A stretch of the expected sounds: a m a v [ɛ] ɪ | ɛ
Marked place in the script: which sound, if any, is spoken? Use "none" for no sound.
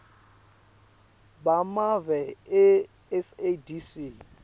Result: ɛ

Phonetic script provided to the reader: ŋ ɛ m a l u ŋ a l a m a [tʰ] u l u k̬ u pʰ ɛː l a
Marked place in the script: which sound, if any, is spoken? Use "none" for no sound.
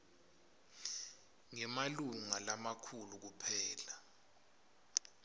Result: kʰ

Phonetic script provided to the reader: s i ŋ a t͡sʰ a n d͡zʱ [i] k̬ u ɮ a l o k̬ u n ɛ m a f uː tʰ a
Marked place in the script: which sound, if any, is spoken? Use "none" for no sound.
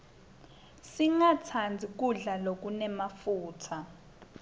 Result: i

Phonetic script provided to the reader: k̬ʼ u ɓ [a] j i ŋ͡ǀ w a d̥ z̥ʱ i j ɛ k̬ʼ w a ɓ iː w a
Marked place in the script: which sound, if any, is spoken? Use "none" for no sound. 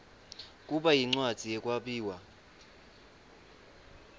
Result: a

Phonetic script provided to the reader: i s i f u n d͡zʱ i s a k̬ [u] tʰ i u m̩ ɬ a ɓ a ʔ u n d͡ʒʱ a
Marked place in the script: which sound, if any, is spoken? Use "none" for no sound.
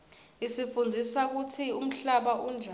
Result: u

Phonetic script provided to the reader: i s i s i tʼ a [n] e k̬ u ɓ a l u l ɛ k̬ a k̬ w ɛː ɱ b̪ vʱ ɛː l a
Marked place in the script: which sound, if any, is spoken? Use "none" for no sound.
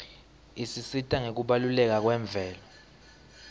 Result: ŋ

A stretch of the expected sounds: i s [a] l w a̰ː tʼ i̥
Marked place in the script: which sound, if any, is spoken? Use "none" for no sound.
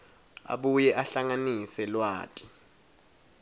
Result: ɛ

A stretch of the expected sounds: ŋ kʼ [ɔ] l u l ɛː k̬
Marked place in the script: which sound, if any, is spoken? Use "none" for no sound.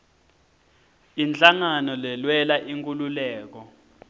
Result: u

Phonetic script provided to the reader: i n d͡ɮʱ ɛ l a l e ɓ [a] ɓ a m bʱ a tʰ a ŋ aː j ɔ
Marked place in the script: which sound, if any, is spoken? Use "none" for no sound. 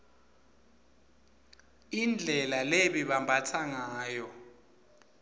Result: i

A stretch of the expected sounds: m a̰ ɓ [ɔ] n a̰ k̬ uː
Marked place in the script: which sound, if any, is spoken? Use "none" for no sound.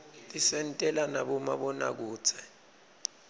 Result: ɔ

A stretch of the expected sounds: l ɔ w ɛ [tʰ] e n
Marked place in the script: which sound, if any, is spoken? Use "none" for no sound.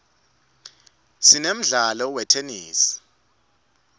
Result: tʰ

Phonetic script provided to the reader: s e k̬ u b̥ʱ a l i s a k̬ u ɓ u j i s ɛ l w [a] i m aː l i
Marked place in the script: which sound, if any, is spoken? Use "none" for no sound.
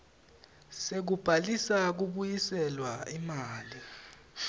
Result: a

